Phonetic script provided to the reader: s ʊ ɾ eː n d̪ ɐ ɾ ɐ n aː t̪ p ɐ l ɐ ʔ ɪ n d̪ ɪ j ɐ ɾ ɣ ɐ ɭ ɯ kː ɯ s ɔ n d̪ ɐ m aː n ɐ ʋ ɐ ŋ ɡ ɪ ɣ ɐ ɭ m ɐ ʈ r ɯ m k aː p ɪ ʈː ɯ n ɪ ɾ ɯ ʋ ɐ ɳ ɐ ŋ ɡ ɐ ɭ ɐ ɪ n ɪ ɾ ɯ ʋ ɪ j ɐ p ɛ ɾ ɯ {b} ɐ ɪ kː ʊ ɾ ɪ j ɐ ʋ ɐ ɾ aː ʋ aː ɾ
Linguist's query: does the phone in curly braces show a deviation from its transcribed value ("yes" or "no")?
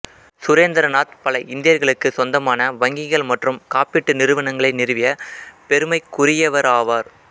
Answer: yes